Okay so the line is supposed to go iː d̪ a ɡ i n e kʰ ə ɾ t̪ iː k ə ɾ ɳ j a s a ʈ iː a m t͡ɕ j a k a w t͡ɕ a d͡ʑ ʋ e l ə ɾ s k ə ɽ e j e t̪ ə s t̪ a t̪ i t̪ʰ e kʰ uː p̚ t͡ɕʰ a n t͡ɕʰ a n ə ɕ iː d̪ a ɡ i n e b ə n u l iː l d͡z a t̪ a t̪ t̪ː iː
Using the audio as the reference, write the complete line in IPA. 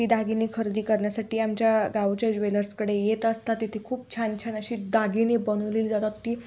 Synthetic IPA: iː d̪ a ɡ i n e kʰ ə ɾ d̪ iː k ə ɾ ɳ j a s a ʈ iː a m t͡ɕ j a ɡ a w t͡ɕ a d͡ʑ ʋ e l ə ɾ s k ə ɽ e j e t̪ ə s t̪ a t̪ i t̪ʰ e kʰ uː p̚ t͡ɕʰ a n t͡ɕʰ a n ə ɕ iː d̪ a ɡ i n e b ə n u l iː l d͡z a t̪ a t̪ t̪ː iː